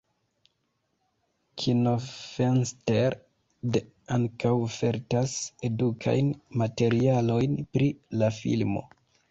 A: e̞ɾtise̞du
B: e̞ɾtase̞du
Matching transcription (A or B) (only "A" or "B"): B